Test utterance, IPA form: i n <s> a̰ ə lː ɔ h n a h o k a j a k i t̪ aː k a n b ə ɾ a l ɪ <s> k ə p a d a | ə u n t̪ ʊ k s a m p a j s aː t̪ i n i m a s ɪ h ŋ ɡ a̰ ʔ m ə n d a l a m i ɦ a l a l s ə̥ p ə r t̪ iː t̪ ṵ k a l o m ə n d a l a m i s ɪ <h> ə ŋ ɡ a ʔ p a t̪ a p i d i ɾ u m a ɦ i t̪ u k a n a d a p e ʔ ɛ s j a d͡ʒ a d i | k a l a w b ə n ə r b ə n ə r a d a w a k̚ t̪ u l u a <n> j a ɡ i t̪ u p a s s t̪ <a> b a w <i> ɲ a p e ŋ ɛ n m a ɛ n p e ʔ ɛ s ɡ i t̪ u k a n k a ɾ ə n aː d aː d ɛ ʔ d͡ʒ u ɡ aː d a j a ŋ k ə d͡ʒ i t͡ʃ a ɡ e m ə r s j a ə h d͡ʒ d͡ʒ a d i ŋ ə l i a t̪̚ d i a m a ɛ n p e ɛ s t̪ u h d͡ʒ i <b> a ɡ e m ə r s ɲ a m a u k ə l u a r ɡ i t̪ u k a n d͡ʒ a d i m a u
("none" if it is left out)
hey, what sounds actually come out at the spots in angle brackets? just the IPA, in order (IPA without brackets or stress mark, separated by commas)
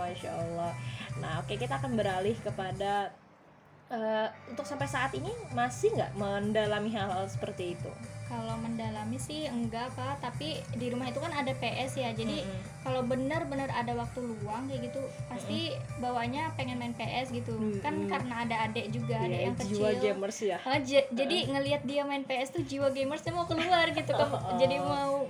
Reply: ʃ, h, h, ŋ, i, a, w